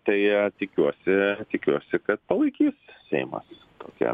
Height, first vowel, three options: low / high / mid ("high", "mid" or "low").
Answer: low